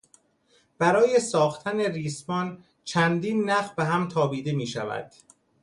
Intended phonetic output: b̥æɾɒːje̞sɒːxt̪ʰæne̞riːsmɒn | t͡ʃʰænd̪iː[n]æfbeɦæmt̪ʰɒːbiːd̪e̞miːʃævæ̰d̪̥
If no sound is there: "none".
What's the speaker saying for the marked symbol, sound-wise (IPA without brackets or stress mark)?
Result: nː